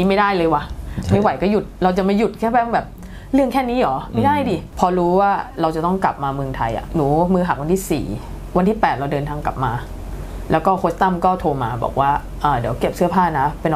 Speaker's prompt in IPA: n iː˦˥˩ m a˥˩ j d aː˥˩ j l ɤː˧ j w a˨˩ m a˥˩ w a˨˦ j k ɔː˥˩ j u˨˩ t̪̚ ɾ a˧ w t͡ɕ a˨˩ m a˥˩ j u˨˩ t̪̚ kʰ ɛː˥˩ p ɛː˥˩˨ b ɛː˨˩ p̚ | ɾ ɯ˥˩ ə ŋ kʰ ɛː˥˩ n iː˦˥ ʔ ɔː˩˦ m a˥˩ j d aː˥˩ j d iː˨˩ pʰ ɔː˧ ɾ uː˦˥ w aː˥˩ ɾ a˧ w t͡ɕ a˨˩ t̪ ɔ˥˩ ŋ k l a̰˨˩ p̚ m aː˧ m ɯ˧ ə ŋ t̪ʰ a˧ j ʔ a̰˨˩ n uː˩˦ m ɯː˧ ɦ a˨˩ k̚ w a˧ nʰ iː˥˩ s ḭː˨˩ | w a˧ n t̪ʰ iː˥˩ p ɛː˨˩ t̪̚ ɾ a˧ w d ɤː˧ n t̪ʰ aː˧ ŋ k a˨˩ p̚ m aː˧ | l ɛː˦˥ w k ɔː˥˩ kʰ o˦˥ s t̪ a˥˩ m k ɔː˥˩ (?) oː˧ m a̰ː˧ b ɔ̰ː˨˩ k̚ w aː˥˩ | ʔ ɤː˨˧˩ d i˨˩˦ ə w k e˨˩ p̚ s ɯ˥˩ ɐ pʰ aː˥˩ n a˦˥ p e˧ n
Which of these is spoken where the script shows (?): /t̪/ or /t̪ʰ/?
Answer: t̪ʰ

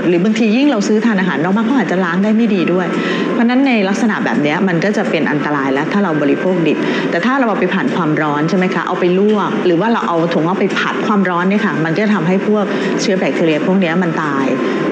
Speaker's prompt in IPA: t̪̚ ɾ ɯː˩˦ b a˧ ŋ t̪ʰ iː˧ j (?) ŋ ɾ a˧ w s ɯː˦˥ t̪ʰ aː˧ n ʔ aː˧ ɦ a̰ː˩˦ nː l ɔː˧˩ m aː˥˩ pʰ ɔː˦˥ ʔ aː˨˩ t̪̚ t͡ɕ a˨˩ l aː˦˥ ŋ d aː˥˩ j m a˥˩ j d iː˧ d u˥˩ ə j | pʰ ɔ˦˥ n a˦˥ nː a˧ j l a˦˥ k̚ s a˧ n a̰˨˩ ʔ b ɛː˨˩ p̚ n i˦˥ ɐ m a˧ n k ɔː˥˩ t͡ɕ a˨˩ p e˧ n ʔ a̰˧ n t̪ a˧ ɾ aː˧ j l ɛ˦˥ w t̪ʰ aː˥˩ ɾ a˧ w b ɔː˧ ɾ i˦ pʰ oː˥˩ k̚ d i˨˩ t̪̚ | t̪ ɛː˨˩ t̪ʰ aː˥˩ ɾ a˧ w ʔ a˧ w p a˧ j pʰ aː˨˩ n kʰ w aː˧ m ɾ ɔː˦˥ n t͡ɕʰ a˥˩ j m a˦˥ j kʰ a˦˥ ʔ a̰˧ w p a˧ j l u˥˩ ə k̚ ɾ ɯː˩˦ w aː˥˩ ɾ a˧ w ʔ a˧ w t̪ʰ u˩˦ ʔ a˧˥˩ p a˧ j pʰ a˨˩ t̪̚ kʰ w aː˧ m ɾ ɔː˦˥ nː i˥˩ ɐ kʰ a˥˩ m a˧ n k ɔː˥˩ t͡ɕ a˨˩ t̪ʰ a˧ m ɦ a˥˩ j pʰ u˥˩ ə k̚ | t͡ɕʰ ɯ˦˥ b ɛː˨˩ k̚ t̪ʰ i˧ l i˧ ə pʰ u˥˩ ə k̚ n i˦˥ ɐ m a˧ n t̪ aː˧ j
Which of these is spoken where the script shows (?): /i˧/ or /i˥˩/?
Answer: i˥˩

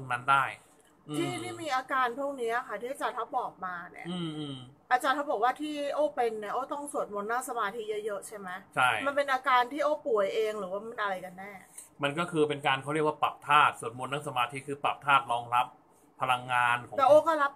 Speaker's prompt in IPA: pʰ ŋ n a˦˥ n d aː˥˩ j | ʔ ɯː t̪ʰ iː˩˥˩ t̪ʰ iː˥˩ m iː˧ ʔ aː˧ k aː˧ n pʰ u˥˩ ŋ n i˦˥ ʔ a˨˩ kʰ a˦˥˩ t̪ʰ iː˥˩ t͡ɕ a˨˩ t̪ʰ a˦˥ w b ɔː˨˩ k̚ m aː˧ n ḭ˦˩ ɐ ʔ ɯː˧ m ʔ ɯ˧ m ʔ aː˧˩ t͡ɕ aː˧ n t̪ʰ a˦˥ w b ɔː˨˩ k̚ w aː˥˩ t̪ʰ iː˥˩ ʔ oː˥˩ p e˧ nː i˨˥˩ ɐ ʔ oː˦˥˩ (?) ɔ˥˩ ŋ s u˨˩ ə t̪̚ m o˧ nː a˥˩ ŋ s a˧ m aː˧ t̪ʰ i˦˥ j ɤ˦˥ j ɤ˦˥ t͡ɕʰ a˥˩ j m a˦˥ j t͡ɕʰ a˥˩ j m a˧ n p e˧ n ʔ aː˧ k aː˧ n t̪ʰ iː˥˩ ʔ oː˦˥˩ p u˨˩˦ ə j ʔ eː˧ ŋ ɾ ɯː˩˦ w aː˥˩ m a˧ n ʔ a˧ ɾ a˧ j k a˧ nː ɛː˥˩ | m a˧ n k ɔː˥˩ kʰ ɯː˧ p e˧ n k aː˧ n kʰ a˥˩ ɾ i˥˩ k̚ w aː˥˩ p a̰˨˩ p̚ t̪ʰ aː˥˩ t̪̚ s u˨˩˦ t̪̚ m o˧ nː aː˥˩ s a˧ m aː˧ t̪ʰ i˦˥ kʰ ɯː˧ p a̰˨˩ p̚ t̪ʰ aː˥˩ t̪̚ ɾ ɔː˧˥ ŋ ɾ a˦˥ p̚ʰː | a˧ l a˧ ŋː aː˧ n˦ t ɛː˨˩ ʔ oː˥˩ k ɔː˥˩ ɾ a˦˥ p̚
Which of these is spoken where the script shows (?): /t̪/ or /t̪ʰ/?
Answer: t̪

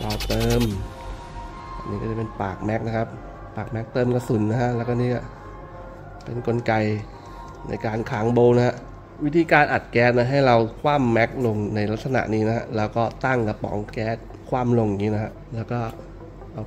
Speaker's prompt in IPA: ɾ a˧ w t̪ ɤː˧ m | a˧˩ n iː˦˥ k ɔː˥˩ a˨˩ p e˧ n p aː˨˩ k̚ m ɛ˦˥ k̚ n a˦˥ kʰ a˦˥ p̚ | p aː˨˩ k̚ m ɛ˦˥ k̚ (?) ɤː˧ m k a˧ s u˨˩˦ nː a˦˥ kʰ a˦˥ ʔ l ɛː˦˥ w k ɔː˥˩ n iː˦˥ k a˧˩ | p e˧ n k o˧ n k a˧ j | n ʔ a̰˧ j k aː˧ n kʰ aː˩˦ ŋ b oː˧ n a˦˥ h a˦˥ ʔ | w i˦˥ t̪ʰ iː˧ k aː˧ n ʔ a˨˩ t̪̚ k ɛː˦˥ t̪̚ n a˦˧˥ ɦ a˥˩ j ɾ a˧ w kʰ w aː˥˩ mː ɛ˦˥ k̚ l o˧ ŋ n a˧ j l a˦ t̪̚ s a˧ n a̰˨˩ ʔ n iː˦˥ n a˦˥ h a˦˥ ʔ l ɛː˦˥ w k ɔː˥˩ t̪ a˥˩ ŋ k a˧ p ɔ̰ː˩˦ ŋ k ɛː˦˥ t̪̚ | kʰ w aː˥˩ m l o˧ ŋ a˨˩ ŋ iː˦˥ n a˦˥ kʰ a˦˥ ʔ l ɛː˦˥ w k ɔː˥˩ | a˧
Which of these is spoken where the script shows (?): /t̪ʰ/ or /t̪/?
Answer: t̪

